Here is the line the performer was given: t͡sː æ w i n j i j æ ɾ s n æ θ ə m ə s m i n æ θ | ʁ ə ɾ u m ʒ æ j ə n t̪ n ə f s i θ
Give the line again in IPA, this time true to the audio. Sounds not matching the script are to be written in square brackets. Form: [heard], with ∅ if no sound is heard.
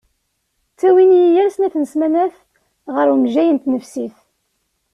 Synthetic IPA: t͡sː æ w i n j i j æ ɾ s n æ θ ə [n] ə s m [æ] n æ θ | ʁ ə ɾ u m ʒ æ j ə n t̪ n ə f s i θ